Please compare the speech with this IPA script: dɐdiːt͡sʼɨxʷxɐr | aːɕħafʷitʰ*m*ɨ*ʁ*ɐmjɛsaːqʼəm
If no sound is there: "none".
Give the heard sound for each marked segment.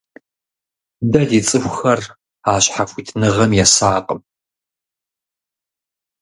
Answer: n, ʁ

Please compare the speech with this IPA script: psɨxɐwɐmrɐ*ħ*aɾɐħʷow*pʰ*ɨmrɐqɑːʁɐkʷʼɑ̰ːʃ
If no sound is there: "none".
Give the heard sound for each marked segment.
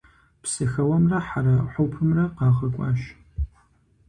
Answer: ħ, pʰ

